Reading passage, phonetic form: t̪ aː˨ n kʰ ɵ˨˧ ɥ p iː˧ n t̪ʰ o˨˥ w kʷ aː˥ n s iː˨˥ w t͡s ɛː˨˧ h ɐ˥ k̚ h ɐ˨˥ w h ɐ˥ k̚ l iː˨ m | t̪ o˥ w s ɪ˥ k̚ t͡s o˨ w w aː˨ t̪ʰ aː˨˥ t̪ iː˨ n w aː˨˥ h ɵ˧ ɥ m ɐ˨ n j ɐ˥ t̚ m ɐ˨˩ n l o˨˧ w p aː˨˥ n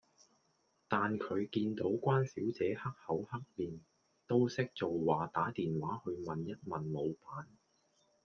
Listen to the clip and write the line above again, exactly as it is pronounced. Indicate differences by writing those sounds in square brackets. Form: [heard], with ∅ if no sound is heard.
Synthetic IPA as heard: t̪ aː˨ n kʰ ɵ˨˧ ɥ [k] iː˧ n [t̪] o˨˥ w kʷ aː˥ n s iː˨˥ w t͡s ɛː˨˧ h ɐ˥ k̚ h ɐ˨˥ w h ɐ˥ k̚ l iː˨ [n] | t̪ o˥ w s ɪ˥ k̚ t͡s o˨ w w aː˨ [t̪] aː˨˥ t̪ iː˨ n w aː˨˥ h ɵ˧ ɥ m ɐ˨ n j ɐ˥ t̚ m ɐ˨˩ n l o˨˧ w p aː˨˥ n

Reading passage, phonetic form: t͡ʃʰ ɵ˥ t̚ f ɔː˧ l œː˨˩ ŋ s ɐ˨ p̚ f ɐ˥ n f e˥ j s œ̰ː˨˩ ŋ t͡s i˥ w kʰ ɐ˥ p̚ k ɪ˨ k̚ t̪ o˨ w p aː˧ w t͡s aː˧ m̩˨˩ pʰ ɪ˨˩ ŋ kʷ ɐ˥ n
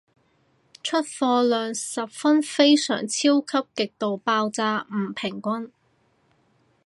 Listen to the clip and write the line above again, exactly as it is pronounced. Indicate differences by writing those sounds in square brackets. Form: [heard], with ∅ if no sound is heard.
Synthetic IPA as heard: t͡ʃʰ ɵ˥ t̚ f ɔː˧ l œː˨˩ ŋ s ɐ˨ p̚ f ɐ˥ n f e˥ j s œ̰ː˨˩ ŋ [t͡sʰ] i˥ w kʰ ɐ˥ p̚ k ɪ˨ k̚ t̪ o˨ w p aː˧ w t͡s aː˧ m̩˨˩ pʰ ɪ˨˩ ŋ kʷ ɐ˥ n

